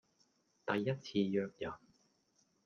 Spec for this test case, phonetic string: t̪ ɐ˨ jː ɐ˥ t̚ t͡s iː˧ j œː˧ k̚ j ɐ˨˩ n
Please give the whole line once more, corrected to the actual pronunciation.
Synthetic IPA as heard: t̪ ɐ˨ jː ɐ˥ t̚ t͡sʰ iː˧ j œː˧ k̚ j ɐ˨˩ n

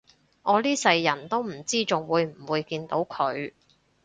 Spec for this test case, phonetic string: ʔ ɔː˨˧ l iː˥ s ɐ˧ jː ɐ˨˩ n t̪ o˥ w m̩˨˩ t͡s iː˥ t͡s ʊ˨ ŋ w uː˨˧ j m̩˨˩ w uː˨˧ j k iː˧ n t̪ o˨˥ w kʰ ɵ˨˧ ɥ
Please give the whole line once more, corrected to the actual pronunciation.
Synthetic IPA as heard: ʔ ɔː˨˧ l iː˥ s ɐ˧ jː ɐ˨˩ n t̪ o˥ w m̩˨˩ t͡s iː˥ t͡s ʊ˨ ŋ w uː˨˧ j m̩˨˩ w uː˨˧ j k iː˧ n t̪ o˨˥ w kʰ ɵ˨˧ ɥ

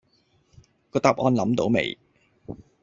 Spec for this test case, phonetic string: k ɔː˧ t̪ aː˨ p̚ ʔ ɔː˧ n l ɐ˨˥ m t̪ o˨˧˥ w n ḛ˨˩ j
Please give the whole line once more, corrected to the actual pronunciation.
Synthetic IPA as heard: k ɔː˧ t̪ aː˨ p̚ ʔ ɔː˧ n l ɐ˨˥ m t̪ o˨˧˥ w m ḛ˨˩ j

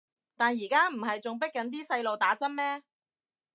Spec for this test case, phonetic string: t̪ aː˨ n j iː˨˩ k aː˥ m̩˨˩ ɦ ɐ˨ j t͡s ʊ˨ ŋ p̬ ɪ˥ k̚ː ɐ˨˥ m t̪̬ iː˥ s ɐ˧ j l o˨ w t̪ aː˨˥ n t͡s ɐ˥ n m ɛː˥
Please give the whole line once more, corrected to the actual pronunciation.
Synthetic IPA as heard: t̪ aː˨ n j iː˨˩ k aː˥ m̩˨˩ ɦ ɐ˨ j t͡s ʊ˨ ŋ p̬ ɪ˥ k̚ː ɐ˨˥ n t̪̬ iː˥ s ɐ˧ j l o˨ w t̪ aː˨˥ t͡s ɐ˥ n m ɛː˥

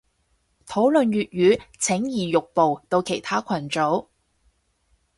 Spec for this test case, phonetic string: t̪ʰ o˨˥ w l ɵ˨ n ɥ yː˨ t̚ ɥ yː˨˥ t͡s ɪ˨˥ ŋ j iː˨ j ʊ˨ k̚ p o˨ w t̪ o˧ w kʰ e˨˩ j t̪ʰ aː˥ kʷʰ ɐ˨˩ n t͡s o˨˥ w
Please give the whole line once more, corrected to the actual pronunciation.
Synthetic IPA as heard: t̪ʰ o˨˥ w l ɵ˨ n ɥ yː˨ t̚ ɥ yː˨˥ t͡sʰ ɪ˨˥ ŋ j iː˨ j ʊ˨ k̚ p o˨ w t̪ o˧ w kʰ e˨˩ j t̪ʰ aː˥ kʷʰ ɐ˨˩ n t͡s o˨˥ w

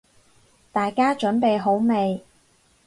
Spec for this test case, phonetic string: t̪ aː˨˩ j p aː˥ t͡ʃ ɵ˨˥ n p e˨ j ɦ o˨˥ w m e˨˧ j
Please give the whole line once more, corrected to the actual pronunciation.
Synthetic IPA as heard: t̪ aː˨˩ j k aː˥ t͡ʃ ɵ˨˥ n p e˨ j ɦ o˨˥ w m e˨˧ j

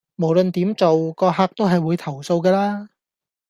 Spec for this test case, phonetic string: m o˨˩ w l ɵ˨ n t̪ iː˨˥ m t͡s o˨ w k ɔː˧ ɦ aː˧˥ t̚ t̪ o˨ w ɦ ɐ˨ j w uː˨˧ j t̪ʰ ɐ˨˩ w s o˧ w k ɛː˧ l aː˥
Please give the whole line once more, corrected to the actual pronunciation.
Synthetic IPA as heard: m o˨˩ w l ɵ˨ n t̪ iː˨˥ m t͡s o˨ w k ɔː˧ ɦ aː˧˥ k̚ t̪ o˥ w ɦ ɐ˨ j w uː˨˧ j t̪ʰ ɐ˨˩ w s o˧ w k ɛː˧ l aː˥

